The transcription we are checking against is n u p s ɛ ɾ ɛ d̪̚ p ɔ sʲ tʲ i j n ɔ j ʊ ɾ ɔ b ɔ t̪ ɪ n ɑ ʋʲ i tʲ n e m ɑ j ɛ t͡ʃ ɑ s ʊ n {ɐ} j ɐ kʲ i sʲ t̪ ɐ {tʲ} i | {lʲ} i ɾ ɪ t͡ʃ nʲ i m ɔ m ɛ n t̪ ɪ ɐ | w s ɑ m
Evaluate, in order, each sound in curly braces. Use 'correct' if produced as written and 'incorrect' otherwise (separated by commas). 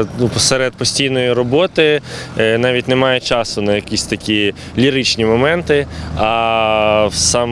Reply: correct, incorrect, correct